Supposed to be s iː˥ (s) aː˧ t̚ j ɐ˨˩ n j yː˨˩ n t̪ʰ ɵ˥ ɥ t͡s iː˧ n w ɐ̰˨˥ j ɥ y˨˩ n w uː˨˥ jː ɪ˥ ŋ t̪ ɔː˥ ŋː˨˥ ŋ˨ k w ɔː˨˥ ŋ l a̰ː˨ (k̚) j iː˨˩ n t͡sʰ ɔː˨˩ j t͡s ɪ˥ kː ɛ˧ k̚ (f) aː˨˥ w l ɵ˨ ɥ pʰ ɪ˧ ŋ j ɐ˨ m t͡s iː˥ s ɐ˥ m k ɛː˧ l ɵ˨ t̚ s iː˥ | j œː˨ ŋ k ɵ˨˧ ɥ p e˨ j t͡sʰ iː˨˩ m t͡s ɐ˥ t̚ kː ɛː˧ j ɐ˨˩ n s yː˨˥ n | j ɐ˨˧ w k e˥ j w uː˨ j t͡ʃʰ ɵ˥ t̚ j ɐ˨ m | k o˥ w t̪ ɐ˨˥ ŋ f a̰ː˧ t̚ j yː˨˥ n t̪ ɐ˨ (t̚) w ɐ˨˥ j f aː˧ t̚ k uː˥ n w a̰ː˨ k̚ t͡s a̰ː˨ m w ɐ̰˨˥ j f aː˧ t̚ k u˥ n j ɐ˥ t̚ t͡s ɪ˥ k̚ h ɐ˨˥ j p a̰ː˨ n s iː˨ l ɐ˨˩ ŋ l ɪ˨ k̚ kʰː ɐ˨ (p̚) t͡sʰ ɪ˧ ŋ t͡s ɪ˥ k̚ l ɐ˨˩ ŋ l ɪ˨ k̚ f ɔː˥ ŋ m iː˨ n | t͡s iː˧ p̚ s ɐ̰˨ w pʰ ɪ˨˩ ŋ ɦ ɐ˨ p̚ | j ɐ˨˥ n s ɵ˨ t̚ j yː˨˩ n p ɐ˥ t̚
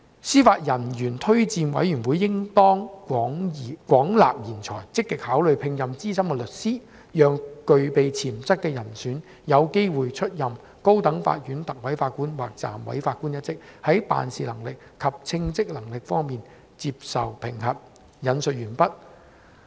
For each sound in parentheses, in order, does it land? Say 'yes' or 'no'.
no, no, no, no, yes

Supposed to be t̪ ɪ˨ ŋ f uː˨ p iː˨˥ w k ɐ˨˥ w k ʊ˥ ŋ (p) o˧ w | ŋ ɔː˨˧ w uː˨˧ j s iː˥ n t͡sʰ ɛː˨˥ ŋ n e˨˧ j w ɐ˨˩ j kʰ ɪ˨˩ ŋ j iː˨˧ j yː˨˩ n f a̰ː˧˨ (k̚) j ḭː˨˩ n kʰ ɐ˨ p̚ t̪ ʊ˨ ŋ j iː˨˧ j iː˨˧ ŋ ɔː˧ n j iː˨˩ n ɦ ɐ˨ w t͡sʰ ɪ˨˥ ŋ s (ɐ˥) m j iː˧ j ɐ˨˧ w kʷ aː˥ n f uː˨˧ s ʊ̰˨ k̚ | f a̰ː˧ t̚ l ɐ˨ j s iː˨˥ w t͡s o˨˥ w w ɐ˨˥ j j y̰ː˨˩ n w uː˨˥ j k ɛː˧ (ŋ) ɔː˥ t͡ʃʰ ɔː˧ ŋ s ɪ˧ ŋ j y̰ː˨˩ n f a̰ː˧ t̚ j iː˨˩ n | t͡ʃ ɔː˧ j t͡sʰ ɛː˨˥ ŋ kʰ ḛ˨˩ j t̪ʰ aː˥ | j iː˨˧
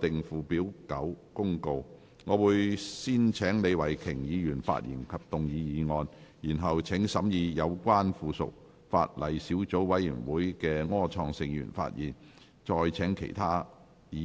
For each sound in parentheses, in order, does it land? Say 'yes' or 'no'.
no, no, no, yes

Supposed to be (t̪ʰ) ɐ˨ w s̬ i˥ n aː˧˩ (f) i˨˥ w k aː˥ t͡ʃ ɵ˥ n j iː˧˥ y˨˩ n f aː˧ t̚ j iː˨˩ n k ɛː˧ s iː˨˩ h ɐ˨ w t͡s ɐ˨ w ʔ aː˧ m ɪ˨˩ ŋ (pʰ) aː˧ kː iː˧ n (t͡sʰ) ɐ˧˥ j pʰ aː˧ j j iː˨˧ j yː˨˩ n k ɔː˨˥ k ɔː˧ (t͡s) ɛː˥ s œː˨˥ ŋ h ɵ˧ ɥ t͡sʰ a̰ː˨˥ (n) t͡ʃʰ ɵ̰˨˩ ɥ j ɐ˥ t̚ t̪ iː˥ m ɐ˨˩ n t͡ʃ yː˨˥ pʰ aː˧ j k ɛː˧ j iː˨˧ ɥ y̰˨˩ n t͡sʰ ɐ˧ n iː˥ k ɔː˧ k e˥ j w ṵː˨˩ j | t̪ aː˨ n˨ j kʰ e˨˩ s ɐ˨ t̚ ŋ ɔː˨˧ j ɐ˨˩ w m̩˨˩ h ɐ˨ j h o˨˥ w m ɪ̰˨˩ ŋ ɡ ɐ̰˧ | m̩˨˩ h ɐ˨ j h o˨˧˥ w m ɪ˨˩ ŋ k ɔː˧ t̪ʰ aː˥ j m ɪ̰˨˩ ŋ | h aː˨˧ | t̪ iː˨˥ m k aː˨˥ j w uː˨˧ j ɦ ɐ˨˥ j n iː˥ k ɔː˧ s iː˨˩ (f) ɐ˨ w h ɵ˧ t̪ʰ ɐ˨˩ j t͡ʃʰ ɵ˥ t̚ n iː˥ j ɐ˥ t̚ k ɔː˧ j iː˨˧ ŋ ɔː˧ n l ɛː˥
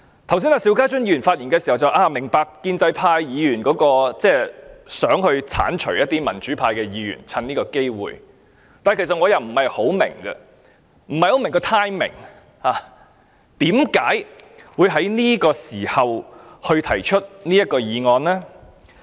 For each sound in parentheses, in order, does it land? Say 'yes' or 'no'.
yes, no, no, no, yes, yes, no

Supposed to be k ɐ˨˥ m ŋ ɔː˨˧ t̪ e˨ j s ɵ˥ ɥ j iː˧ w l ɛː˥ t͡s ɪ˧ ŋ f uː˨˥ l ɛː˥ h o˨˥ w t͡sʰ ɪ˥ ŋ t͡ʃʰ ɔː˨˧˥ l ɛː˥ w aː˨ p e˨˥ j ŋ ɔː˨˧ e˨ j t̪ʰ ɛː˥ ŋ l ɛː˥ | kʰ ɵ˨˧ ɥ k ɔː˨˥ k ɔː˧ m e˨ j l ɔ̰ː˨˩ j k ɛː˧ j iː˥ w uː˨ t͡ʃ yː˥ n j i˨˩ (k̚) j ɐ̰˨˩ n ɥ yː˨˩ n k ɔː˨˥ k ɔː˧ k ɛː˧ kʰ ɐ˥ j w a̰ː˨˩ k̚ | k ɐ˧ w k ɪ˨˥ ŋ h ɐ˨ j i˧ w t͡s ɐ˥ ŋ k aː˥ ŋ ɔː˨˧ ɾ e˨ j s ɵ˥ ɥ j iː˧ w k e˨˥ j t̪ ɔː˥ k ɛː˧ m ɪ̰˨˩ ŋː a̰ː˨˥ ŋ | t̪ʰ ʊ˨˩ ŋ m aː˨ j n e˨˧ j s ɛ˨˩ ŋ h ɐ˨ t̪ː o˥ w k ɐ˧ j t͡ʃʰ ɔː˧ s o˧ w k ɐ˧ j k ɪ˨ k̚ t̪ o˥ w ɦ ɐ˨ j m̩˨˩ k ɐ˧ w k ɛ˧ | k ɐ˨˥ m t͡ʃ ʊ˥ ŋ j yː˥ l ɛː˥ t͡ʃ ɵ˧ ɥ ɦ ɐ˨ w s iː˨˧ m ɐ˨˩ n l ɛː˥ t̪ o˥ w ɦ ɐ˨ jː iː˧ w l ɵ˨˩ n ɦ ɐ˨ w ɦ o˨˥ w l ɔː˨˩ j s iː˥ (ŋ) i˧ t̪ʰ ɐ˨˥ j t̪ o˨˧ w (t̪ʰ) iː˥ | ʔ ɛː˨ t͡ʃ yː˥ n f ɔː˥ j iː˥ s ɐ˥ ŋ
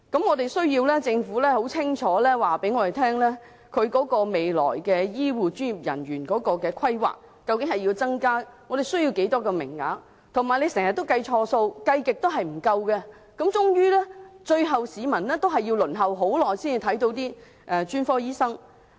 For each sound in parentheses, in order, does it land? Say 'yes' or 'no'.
no, no, no

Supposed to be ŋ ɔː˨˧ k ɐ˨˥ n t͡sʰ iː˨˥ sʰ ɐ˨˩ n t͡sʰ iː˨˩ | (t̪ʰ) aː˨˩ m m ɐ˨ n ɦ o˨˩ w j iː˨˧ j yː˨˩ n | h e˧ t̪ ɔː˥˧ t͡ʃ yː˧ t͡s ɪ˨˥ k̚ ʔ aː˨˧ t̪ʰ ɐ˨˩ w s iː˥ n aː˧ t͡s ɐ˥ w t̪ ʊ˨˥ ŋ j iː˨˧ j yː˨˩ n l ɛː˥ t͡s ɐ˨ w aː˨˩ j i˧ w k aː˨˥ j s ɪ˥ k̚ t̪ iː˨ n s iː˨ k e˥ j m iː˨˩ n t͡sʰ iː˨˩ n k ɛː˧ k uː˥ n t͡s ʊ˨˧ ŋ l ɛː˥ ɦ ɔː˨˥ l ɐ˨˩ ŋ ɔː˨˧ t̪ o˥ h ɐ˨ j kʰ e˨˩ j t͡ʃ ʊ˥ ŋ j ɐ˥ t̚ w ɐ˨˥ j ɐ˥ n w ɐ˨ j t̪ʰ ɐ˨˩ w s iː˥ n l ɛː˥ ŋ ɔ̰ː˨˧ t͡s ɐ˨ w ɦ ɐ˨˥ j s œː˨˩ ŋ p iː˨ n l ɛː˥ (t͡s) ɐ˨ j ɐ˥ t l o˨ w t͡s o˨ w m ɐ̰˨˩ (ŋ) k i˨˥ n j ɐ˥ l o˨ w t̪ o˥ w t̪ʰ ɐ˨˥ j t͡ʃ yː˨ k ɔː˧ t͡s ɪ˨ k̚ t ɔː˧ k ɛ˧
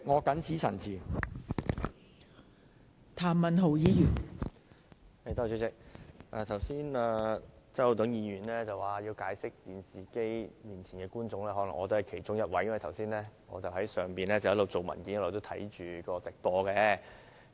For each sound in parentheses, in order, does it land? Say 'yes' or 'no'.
yes, yes, no

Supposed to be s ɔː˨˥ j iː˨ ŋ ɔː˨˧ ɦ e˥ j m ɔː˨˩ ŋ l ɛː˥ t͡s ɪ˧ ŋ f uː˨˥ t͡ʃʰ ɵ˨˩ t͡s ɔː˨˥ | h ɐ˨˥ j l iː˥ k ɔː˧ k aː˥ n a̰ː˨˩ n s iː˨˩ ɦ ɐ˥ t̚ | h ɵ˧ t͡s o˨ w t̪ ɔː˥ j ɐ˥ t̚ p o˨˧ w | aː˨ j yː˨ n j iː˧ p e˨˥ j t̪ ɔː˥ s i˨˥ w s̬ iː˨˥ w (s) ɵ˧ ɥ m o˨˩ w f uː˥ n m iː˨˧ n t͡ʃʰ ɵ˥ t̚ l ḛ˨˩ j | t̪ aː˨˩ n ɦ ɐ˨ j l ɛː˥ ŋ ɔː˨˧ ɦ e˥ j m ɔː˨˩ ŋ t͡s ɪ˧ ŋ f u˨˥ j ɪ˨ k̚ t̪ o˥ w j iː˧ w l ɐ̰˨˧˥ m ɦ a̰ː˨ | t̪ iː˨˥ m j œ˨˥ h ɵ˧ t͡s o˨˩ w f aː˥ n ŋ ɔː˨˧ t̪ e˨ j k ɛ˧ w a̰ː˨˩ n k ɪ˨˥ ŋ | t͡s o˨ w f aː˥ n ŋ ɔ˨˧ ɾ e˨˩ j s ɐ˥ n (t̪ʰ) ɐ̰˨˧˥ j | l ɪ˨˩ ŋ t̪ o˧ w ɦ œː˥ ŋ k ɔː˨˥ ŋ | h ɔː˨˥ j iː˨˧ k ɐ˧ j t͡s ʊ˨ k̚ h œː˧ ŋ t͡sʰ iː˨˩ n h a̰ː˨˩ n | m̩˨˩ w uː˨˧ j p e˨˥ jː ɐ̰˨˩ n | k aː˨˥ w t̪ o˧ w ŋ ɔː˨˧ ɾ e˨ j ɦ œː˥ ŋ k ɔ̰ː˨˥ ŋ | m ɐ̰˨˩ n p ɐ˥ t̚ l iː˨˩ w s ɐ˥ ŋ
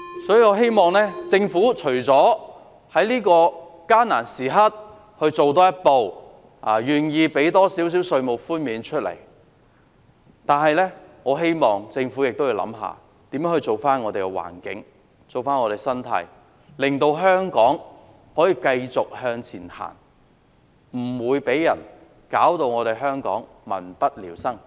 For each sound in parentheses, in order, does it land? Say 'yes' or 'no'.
yes, yes

